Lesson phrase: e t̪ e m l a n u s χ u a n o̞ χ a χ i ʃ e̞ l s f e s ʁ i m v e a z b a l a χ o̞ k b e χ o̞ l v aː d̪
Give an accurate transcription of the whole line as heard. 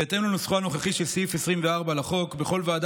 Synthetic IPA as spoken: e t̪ e m l a n u s χ u a n o̞ χ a χ i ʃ e̞ l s f e s ʁ i m v e a ʁ b a l a χ o̞ k b e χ o̞ l v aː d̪